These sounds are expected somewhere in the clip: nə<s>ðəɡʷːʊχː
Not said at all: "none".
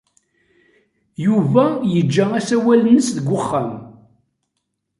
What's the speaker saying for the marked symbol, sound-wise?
s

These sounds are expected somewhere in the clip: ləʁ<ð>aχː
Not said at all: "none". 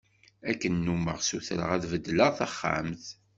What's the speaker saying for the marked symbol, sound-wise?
θ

